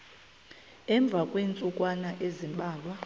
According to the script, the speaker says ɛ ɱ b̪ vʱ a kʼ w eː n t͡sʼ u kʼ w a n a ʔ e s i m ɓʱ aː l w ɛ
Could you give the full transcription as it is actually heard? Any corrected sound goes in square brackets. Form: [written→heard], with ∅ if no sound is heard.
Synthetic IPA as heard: ɛ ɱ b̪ vʱ a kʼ w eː n t͡sʼ u kʼ w a n a ʔ e [s→z] i m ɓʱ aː l w [ɛ→a]